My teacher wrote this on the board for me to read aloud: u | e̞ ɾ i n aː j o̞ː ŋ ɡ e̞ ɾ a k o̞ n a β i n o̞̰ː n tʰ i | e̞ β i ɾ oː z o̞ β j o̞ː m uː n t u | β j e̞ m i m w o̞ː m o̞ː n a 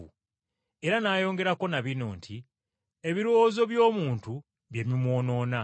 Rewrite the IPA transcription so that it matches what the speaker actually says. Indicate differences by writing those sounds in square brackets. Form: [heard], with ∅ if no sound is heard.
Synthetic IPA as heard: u | e̞ ɾ [a] n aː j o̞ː ŋ ɡ e̞ ɾ a k o̞ n a β i n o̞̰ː n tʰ i | e̞ β i ɾ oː z o̞ β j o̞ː m uː n t u | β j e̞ m i m w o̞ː [n] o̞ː n a

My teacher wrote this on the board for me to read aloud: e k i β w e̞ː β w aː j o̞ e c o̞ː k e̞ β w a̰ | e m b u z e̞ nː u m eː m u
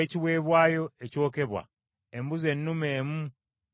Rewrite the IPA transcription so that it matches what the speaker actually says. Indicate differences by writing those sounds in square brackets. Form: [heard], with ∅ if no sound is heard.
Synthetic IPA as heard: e [c] i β w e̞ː β w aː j o̞ e c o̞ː k e̞ β w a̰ | e m b u z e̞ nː u m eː m u

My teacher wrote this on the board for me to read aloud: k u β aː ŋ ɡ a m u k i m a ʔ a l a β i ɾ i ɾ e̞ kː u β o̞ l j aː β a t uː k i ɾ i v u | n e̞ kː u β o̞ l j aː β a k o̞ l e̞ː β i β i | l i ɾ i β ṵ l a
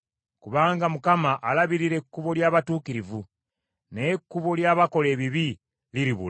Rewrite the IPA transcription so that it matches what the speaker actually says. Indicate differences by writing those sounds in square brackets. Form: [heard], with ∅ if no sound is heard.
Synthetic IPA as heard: k u β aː ŋ ɡ a m u k [a] m a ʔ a l a β i ɾ i ɾ e̞ kː u β o̞ l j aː β a t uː k i ɾ i v u | n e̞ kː u β o̞ l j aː β a k o̞ l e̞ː β i β i | l i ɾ i β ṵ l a

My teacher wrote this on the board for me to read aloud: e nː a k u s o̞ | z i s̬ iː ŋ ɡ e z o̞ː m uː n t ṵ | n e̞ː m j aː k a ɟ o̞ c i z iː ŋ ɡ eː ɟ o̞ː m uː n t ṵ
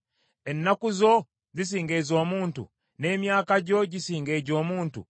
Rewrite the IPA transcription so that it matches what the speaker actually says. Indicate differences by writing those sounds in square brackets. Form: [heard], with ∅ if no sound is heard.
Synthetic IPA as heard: e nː a k u [z] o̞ | z i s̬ iː ŋ ɡ e z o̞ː m uː n t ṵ | n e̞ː m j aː k a ɟ o̞ [ɟ] i [s] iː ŋ ɡ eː ɟ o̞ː m uː n t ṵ

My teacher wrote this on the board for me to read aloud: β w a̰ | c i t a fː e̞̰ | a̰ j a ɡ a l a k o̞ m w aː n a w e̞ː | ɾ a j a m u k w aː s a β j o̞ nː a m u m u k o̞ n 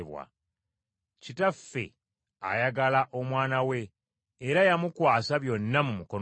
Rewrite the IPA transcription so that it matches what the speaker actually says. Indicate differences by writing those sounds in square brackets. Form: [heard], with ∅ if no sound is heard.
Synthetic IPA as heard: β w a̰ | c i t a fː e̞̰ | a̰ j a ɡ a l a [ʔ] o̞ m w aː n a w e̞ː | ɾ a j a m u k w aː s a β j o̞ nː a m u m u k o̞ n

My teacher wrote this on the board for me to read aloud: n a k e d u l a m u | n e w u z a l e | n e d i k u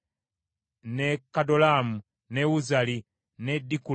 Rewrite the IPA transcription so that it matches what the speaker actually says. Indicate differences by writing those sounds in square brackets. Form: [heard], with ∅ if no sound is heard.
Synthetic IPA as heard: n [e] k [a] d [o] l a m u | n e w u z a l [i] | n e d i k u

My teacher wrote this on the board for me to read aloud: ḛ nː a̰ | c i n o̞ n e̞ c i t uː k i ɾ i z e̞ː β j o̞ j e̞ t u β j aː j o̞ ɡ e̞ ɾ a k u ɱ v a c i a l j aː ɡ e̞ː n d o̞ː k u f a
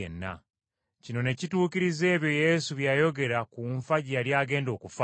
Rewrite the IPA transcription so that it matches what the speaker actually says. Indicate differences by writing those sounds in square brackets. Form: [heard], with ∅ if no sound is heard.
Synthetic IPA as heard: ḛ nː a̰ | c i n o̞ n e̞ c i t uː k i ɾ i z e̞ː β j o̞ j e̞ [s] u β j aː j o̞ ɡ e̞ ɾ a k u ɱ [f] a [ɟ] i a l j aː ɡ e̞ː n d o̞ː k u f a

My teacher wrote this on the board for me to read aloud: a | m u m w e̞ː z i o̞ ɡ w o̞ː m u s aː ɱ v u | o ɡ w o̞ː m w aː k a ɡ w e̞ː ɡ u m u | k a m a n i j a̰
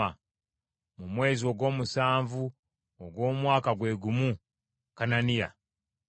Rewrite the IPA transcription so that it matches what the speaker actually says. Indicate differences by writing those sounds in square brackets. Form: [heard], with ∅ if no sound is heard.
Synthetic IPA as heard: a | m u m w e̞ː z i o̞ ɡ w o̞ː m u s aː ɱ v u | o ɡ w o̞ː m w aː k a ɡ w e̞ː ɡ u m u | k a [n] a n i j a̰

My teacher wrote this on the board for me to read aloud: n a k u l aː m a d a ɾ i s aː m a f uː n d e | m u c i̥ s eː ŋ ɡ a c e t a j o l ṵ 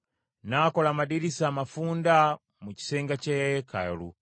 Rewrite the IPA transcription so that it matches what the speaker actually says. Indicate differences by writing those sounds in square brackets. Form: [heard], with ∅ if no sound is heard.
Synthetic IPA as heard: n a k [o] l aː m a d [i] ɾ i s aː m a f uː n d [a] | m u c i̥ s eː ŋ ɡ a c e [k] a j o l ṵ

